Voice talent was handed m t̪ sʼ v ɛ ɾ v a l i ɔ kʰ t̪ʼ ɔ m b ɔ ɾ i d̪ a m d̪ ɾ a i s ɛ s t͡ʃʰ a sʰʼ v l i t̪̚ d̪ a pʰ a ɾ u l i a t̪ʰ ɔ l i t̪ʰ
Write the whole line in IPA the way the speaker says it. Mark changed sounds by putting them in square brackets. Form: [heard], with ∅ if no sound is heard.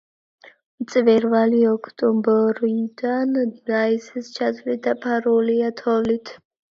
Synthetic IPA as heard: m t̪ sʼ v ɛ ɾ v a l i ɔ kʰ t̪ʼ ɔ m b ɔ ɾ i d̪ a [n] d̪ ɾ a i s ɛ s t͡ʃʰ a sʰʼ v l i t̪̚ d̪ a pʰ a ɾ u l i a t̪ʰ ɔ l i t̪ʰ